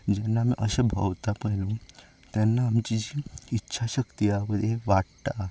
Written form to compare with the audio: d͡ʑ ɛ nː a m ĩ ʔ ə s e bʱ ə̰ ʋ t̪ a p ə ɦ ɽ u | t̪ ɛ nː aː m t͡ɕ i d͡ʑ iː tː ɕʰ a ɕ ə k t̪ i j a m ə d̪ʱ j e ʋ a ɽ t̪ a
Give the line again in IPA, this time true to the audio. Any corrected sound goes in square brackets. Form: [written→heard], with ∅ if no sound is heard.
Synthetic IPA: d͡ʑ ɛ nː a m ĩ ʔ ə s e bʱ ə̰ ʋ t̪ a p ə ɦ [ɽ→l] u | t̪ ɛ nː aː m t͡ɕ i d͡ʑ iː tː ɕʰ a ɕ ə k t̪ i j a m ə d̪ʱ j e ʋ a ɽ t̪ a